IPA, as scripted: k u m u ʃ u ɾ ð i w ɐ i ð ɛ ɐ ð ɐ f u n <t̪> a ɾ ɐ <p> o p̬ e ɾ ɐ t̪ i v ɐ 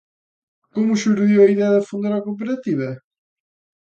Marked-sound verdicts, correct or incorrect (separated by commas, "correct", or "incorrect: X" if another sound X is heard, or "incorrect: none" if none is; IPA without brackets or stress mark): incorrect: d̪, incorrect: k